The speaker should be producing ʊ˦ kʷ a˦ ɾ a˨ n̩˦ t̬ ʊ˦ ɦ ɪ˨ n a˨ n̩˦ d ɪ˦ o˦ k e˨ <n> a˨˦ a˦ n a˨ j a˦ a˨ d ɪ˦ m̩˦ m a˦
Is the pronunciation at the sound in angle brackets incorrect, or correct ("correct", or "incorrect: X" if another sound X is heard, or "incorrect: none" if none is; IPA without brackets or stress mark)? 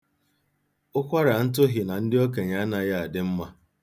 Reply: incorrect: ɲ